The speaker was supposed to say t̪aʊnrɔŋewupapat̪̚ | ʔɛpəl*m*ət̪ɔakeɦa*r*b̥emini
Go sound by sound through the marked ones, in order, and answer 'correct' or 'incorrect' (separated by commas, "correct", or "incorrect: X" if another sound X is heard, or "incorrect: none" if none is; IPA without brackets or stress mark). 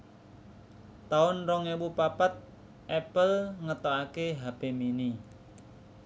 incorrect: ŋ, incorrect: none